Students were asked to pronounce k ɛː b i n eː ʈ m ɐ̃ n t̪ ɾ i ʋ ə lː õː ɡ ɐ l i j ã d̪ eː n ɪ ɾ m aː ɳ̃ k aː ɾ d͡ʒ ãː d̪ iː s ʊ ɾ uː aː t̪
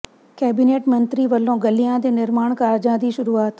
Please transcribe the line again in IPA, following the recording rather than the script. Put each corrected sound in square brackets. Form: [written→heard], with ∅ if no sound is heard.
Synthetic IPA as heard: k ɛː b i n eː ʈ m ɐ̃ n t̪ ɾ i ʋ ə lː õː ɡ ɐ l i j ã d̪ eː n ɪ ɾ m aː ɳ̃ k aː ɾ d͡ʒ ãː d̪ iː [s→ʃ] ʊ ɾ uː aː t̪